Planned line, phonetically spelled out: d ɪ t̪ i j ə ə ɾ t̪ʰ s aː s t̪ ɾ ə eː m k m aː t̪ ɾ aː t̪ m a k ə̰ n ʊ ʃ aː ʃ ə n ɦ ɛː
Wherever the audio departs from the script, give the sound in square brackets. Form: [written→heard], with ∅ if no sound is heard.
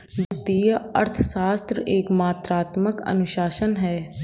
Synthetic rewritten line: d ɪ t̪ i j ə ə ɾ t̪ʰ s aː s t̪ ɾ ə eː [m→∅] k m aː t̪ ɾ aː t̪ m [a→ə] k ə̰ n ʊ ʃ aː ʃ ə n ɦ ɛː

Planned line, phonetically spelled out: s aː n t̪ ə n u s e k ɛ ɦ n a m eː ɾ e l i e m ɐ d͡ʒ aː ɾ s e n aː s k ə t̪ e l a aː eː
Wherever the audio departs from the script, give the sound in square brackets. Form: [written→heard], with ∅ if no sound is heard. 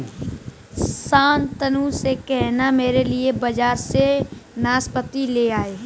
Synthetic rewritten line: s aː n t̪ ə n u s e k ɛ ɦ n a m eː ɾ e l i e [m→b] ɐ d͡ʒ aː ɾ s e n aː s [k→p] ə t̪ [e→i] l [a→e] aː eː

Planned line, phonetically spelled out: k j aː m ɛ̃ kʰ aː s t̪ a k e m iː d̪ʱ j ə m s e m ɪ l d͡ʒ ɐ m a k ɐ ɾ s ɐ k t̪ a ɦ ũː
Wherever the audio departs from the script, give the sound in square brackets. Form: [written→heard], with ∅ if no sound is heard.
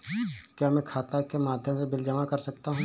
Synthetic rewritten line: k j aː m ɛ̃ kʰ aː [s→∅] t̪ a k e m [iː→aː] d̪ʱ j ə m s e [m→b] ɪ l d͡ʒ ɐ m a k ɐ ɾ s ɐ k t̪ a ɦ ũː

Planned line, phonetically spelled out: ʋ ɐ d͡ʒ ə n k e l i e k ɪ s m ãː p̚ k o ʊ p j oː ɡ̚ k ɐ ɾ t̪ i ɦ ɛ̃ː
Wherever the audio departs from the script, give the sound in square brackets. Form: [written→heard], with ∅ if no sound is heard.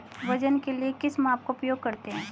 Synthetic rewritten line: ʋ ɐ d͡ʒ ə n k e l i e k ɪ s m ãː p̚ k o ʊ p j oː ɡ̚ k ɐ ɾ t̪ [i→e] ɦ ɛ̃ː

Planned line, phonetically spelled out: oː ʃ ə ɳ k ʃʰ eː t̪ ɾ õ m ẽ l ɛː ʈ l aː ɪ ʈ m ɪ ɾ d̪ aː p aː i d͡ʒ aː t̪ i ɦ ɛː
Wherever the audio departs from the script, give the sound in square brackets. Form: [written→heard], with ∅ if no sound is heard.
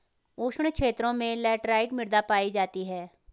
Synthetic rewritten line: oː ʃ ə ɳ k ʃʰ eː t̪ ɾ õ m ẽ l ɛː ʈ [l→ɾ] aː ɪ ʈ m ɪ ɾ d̪ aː p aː i d͡ʒ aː t̪ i ɦ ɛː

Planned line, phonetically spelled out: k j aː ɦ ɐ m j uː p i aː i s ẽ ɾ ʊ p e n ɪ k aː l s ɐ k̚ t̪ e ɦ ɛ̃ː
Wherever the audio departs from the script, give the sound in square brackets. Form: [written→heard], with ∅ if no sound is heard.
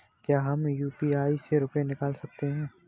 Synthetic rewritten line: k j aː ɦ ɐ m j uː p i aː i s [ẽ→e] ɾ ʊ p e n ɪ k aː l s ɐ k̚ t̪ e ɦ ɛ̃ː

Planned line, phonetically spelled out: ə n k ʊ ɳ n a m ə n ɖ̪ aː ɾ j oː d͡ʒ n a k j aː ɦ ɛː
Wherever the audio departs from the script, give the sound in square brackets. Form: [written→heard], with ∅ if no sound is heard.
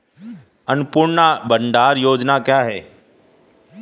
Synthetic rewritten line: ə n [k→p] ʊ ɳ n a [m→b] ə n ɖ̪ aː ɾ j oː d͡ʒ n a k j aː ɦ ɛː

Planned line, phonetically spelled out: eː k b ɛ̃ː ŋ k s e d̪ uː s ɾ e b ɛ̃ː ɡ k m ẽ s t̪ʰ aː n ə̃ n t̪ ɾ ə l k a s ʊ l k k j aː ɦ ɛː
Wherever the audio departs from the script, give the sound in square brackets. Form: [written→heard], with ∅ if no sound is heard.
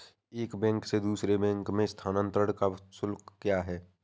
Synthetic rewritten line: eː k b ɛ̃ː ŋ k s e d̪ uː s ɾ e b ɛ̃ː [ɡ→ŋ] k m ẽ s t̪ʰ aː n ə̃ n t̪ ɾ ə [l→ɽ] k a s ʊ l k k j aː ɦ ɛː

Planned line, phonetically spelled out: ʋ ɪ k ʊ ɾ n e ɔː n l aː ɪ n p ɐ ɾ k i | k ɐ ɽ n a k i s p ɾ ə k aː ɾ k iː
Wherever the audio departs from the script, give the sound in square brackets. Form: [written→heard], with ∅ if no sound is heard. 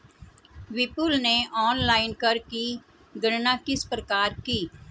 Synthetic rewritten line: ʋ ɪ [k→p] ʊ [ɾ→l] n e ɔː n l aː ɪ n [p→k] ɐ ɾ k i | [k→ɡ] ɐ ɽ n a k [i→ɪ] s p ɾ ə k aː ɾ k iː

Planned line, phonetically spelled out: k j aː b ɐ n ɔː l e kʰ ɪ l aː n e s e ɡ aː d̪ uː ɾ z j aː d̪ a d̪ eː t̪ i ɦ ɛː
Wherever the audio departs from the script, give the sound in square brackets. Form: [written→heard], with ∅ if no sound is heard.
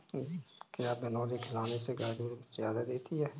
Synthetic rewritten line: k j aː b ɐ n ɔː l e kʰ ɪ l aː n e s e ɡ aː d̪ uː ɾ z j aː d̪ a d̪ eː t̪ i ɦ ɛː

